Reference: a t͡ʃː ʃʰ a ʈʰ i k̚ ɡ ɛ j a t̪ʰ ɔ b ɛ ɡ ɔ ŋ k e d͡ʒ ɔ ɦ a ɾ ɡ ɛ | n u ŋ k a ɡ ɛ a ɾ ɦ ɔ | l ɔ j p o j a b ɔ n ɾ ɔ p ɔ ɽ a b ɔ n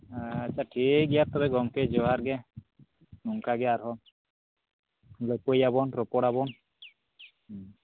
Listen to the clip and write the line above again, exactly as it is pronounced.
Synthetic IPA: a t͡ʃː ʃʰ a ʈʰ i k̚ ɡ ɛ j a t̪ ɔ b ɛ ɡ ɔ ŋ k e d͡ʒ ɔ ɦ a ɾ ɡ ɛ | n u ŋ k a ɡ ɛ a ɾ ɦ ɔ | l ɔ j p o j a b ɔ n ɾ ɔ p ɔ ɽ a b ɔ n